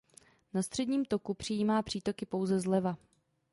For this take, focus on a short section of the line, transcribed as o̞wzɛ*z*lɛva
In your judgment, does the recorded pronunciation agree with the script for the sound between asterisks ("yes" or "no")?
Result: yes